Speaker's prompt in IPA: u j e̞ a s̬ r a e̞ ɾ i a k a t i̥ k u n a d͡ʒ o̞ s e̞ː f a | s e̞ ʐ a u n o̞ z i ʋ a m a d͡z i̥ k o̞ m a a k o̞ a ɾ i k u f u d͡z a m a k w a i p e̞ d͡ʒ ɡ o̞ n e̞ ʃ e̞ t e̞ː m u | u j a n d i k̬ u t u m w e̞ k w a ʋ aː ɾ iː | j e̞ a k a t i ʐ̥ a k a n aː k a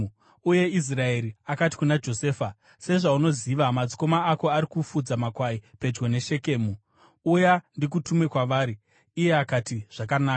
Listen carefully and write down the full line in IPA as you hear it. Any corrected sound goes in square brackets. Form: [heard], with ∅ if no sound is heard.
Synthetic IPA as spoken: u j e̞ [i] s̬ r a e̞ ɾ i a k a t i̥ k u n a d͡ʒ o̞ s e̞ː f a | s e̞ ʐ a u n o̞ z i ʋ a m a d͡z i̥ k o̞ m a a k o̞ a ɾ i k u f u d͡z a m a k w a i p e̞ d͡ʒ ɡ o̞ n e̞ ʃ e̞ [k] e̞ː m u | u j a n d i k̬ u t u m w e̞ k w a ʋ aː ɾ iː | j e̞ a k a t i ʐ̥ a k a n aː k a